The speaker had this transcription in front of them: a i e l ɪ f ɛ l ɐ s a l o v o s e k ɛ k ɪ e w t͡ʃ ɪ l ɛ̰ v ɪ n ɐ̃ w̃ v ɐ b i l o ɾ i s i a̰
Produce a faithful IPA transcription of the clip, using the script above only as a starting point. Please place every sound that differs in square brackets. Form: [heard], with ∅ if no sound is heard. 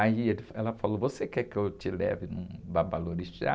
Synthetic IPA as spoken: a i e l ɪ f ɛ l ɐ [f] a l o v o s e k ɛ k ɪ e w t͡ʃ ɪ l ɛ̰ v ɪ n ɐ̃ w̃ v [a] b [a] l o ɾ i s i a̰